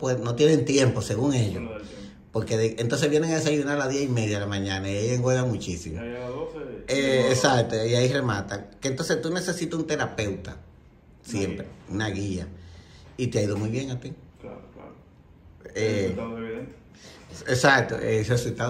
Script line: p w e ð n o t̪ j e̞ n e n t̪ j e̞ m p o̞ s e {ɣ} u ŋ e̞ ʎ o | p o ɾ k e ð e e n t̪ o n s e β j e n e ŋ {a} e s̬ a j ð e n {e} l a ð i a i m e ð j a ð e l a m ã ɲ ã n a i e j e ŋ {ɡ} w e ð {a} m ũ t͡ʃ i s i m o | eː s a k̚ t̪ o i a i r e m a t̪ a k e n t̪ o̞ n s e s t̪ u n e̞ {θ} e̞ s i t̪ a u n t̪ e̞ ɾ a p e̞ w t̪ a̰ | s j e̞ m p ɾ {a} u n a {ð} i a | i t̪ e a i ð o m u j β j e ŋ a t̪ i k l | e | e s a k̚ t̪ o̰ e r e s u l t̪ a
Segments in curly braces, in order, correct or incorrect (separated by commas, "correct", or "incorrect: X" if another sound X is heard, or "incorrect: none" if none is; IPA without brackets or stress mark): correct, correct, incorrect: a, correct, correct, incorrect: s, incorrect: e, incorrect: ɣ